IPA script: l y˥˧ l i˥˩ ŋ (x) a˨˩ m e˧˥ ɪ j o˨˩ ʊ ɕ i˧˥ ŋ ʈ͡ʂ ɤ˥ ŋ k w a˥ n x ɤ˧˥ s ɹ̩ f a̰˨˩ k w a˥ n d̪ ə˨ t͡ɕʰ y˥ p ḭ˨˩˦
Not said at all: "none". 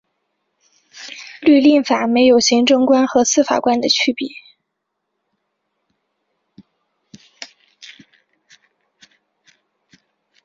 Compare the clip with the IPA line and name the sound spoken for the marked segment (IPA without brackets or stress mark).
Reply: f